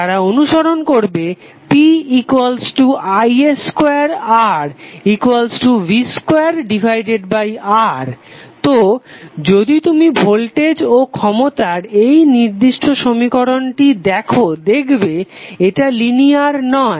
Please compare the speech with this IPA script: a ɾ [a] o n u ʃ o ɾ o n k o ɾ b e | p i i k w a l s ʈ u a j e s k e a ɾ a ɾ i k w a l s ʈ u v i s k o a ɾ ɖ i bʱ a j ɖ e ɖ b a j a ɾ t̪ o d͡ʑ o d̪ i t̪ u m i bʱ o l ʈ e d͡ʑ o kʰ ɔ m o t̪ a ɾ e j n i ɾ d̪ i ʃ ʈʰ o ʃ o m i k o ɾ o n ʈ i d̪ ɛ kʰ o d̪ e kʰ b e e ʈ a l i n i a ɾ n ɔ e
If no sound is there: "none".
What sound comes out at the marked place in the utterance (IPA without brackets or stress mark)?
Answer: a